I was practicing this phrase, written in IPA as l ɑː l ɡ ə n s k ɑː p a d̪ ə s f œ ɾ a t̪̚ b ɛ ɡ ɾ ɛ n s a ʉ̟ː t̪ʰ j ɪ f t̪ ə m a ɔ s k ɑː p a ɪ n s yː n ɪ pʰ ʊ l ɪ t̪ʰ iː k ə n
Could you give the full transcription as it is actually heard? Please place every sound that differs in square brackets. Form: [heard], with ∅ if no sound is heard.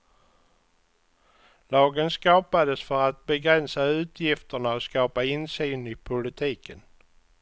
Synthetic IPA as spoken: l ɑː [∅] ɡ ə n s k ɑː p a d̪ ə s f œ ɾ a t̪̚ b ɛ ɡ ɾ ɛ n s a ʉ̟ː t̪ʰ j ɪ f t̪ ə [ɳ] a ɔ s k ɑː p a ɪ n s yː n ɪ pʰ ʊ l ɪ t̪ʰ iː k ə n